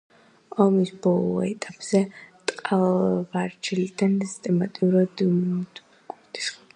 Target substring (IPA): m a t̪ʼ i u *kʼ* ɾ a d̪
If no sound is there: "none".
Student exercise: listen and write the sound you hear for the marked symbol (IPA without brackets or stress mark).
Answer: none